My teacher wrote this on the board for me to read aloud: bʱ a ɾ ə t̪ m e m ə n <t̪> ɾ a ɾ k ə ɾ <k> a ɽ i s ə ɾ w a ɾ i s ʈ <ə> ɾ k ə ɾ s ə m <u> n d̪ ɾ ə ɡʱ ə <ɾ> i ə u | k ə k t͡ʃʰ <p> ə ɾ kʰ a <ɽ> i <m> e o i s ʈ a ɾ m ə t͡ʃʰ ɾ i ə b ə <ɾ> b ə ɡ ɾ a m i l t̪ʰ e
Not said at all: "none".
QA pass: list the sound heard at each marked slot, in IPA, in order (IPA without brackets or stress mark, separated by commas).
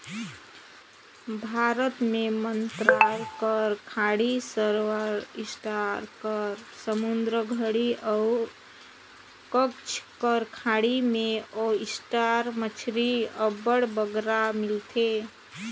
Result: t̪, kʰ, a, u, ɽ, k, ɽ, m, ɽ